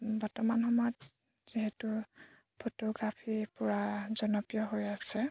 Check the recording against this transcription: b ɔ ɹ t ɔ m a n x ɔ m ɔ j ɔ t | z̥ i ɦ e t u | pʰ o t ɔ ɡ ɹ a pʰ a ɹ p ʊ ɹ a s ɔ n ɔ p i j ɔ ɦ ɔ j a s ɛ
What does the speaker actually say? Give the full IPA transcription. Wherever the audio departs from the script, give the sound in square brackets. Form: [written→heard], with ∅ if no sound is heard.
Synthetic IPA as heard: b ɔ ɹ t ɔ m a n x ɔ m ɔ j ɔ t | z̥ i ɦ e t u | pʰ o t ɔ ɡ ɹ a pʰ [a→i] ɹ p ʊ ɹ a [s→z] ɔ n ɔ p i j ɔ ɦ [ɔ→o] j a s ɛ